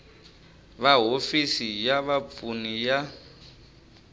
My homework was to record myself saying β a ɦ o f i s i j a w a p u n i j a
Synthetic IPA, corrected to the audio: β a ɦ o f i s i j a β a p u n i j a

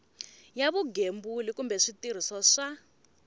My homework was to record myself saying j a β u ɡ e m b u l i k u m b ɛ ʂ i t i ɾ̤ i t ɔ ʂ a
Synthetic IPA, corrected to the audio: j a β u ɡ e m b u l i k u m b ɛ ʂ i t i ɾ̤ i s ɔ ʂ a

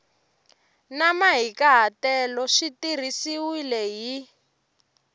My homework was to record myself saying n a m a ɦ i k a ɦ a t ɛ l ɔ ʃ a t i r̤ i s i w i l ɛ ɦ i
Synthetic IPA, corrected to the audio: n a m a ɦ i k a ɦ a t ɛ l ɔ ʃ i t i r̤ i s i w i l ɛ ɦ i

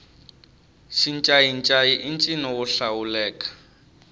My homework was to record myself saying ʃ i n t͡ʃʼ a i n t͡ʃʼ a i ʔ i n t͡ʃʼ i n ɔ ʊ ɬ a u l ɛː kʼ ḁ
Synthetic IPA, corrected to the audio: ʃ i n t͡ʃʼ a i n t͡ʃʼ a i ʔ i n t͡ʃʼ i n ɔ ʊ ɬ a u l ɛː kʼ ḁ

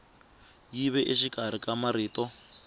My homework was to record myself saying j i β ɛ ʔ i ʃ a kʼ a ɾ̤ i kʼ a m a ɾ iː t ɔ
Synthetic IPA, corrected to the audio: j i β ɛ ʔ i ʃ i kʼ a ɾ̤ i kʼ a m a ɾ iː t ɔ

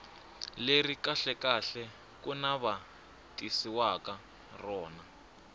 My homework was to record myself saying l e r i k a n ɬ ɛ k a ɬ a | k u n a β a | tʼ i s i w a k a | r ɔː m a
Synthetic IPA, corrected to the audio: l e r i k a ɬ ɛ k a ɬ ɛ | k u n a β a | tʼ i s i w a k a | r ɔː n a

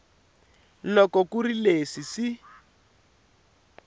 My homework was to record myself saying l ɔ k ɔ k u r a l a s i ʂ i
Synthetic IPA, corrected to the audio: l ɔ k ɔ k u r i l e s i s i

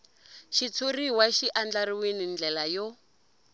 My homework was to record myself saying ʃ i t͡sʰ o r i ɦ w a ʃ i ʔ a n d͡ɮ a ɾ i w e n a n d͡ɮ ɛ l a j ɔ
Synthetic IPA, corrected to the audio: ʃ i t͡sʰ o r i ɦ w a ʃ i ʔ a n d͡ɮ a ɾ i w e n i n d͡ɮ ɛ l a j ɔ

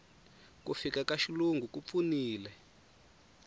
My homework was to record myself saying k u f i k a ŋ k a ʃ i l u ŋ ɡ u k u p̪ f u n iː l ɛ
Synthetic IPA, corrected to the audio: k u f i k a k a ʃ i l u ŋ ɡ u k u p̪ f u n iː l ɛ

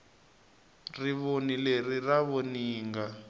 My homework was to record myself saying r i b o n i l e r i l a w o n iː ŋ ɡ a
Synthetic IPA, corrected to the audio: r i β o n i l e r i r a β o n iː ŋ ɡ a

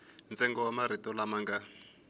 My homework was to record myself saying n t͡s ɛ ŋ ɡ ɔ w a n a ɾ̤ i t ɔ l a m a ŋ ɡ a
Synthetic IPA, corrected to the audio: n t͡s ɛ ŋ ɡ ɔ w a m a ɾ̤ i t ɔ l a m a ŋ ɡ a

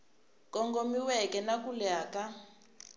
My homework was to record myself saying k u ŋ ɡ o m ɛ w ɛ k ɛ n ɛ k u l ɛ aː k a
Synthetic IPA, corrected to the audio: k ɔ ŋ ɡ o m i w ɛ k ɛ n a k u l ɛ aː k a

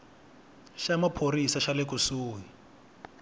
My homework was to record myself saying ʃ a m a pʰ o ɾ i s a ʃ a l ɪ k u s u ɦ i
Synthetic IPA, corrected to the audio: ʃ a m a pʰ o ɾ i s a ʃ a l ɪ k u s uː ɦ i

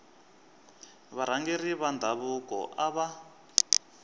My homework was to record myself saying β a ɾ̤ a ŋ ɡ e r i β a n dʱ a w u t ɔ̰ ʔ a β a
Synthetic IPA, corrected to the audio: β a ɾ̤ a ŋ ɡ e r i β a n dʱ a β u k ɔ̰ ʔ a β a

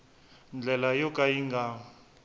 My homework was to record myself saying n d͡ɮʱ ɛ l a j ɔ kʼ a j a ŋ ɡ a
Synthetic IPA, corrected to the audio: n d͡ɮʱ ɛ l a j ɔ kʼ a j i ŋ ɡ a

